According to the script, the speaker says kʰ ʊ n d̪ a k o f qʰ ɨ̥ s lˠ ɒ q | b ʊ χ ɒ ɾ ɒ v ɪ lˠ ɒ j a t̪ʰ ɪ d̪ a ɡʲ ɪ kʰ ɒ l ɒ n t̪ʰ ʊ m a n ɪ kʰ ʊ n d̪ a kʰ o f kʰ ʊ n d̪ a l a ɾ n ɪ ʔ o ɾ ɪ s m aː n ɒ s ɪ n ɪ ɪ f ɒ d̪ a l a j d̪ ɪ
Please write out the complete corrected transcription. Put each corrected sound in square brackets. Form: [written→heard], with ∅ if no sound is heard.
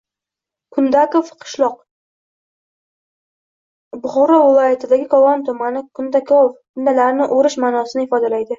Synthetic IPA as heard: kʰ ʊ n d̪ a k o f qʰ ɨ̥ [s→ʃ] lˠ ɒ q | b ʊ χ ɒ ɾ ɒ v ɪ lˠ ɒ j a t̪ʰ ɪ d̪ a ɡʲ ɪ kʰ ɒ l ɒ n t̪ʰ ʊ m a n ɪ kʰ ʊ n d̪ a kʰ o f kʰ ʊ n d̪ a l a ɾ n ɪ ʔ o ɾ ɪ [s→ʃ] m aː n ɒ s ɪ n ɪ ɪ f ɒ d̪ a l a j d̪ ɪ

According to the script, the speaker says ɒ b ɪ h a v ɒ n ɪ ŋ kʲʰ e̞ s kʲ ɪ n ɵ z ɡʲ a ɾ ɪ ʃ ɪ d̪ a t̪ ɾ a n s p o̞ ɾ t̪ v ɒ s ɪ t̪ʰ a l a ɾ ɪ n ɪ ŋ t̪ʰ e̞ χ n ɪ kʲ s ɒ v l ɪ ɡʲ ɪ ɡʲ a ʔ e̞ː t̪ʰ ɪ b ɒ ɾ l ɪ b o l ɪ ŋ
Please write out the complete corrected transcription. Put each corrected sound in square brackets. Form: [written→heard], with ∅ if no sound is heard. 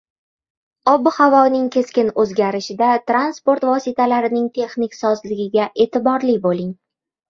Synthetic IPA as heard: ɒ b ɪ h a v ɒ n ɪ ŋ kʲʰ e̞ s kʲ ɪ n ɵ z ɡʲ a ɾ ɪ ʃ ɪ d̪ a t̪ ɾ a n s p o̞ ɾ t̪ v ɒ s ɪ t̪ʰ a l a ɾ ɪ n ɪ ŋ t̪ʰ e̞ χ n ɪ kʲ s ɒ [v→z] l ɪ ɡʲ ɪ ɡʲ a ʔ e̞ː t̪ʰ ɪ b ɒ ɾ l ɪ b o l ɪ ŋ

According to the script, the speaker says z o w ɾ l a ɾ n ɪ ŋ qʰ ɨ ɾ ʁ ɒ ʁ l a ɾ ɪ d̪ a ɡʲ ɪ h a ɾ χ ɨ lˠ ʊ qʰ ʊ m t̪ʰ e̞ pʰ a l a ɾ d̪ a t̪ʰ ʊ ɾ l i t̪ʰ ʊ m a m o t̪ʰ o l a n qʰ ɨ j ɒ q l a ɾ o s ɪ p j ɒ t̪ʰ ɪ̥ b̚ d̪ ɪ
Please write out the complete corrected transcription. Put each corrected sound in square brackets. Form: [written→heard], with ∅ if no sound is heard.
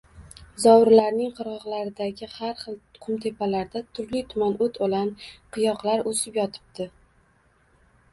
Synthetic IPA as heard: z [o→ɒ] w ɾ l a ɾ n ɪ ŋ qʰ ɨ ɾ ʁ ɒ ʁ l a ɾ ɪ d̪ a ɡʲ ɪ h a ɾ χ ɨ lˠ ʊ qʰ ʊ m t̪ʰ e̞ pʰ a l a ɾ d̪ a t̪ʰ ʊ ɾ l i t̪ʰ ʊ m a [m→n] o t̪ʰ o l a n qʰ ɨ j ɒ q l a ɾ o s ɪ p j ɒ t̪ʰ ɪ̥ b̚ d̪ ɪ

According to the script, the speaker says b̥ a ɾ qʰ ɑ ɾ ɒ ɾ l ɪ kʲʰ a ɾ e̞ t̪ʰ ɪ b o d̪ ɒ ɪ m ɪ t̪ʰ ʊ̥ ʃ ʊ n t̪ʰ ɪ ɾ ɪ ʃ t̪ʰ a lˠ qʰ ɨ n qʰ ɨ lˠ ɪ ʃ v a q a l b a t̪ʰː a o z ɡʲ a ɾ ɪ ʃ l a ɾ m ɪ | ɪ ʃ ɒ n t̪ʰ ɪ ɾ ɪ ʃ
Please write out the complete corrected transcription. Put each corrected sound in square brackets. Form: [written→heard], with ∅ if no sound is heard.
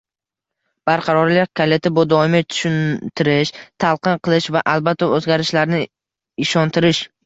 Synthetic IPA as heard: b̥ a ɾ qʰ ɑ ɾ ɒ ɾ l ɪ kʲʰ a [ɾ→l] e̞ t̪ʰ ɪ b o d̪ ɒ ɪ m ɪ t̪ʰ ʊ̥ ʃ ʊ n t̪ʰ ɪ ɾ ɪ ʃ t̪ʰ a lˠ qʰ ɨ n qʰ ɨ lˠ ɪ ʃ v a [q→ʔ] a l b a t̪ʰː a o z ɡʲ a ɾ ɪ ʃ l a ɾ [m→n] ɪ | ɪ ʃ ɒ n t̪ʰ ɪ ɾ ɪ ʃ

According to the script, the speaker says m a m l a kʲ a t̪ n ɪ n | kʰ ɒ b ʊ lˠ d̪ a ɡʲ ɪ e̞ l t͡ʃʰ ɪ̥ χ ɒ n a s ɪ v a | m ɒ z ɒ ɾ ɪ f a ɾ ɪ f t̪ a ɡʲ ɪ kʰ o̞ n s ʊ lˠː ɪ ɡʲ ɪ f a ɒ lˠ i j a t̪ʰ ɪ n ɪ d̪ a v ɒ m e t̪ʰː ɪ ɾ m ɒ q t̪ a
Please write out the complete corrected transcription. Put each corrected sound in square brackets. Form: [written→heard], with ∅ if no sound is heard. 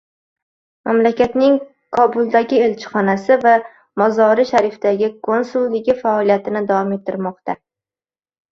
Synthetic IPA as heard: m a m l a kʲ a t̪ n ɪ [n→ŋ] | kʰ ɒ b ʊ lˠ d̪ a ɡʲ ɪ e̞ l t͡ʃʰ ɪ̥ χ ɒ n a s ɪ v a | m ɒ z ɒ ɾ ɪ [f→ʃ] a ɾ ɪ f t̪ a ɡʲ ɪ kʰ o̞ n s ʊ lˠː ɪ ɡʲ ɪ f a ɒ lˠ i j a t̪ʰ ɪ n ɪ d̪ a v ɒ m e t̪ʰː ɪ ɾ m ɒ q t̪ a

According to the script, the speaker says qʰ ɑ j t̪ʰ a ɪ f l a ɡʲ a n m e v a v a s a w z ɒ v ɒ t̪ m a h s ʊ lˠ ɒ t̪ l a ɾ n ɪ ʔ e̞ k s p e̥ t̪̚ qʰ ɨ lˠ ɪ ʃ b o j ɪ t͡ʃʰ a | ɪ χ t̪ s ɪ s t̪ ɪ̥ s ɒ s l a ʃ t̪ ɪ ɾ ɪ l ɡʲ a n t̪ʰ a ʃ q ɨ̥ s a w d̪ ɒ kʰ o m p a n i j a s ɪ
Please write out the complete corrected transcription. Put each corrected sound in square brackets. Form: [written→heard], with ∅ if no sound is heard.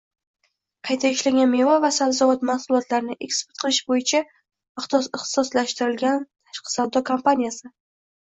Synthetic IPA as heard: qʰ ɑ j t̪ʰ a ɪ [f→ʃ] l a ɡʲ a n m e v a v a s a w z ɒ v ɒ t̪ m a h s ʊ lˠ ɒ t̪ l a ɾ n ɪ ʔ e̞ k s p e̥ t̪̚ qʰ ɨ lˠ ɪ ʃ b o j ɪ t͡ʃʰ a | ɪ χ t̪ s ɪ [s→χ] t̪ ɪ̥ s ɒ s l a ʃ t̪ ɪ ɾ ɪ l ɡʲ a n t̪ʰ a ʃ q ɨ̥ s a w d̪ ɒ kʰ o m p a n i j a s ɪ

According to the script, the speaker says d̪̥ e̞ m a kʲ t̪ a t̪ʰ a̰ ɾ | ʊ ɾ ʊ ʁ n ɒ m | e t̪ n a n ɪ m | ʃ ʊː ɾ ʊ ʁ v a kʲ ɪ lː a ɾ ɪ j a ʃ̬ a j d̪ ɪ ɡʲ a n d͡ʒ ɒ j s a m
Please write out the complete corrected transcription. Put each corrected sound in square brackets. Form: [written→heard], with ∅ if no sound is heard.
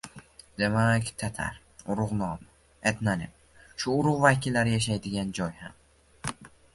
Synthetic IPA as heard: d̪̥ e̞ m a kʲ [t̪→t̪ʰ] a t̪ʰ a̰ ɾ | ʊ ɾ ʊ ʁ n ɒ m | e t̪ n a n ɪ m | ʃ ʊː ɾ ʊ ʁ v a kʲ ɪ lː a ɾ ɪ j a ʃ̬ a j d̪ ɪ ɡʲ a n d͡ʒ ɒ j [s→h] a m

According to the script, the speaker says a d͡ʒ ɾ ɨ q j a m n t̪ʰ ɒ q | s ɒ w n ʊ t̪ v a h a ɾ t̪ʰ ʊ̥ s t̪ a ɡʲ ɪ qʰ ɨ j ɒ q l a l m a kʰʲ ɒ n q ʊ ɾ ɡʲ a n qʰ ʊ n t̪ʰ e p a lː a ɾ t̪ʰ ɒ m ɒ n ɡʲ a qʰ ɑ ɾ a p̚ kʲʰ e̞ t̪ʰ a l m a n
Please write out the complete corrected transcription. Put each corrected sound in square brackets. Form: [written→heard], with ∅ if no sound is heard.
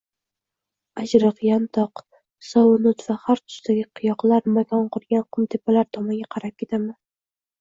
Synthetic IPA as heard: a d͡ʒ ɾ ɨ q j a [m→∅] n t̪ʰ ɒ q | s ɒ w n ʊ t̪ v a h a ɾ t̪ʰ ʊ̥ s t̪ a ɡʲ ɪ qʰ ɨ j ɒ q l a [l→ɾ] m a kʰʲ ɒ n q ʊ ɾ ɡʲ a n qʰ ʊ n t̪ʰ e p a [lː→l] a ɾ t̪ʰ ɒ m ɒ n ɡʲ a qʰ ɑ ɾ a p̚ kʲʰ e̞ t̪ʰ a [l→∅] m a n

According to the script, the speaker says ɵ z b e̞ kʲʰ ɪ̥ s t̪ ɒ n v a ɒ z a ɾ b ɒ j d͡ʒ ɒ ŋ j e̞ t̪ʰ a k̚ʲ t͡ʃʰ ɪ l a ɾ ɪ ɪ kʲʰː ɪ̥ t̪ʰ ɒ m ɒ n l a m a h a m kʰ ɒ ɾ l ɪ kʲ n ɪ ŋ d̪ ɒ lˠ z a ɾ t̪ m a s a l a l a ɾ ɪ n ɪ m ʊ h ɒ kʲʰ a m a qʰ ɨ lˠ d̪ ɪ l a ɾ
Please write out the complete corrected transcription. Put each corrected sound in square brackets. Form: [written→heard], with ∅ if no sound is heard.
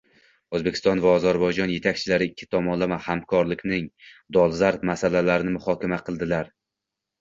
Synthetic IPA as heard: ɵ z b e̞ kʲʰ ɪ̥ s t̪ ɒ n v a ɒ z a ɾ b ɒ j d͡ʒ ɒ [ŋ→n] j e̞ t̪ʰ a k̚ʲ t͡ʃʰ ɪ l a ɾ ɪ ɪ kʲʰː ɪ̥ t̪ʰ ɒ m ɒ n l a m a h a m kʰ ɒ ɾ l ɪ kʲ n ɪ ŋ d̪ ɒ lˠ z a ɾ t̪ m a s a l a l a ɾ ɪ n ɪ m ʊ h ɒ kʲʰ a m a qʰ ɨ lˠ d̪ ɪ l a ɾ

